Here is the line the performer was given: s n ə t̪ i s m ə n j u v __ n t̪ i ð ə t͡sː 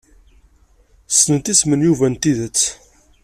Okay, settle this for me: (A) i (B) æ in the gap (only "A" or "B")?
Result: B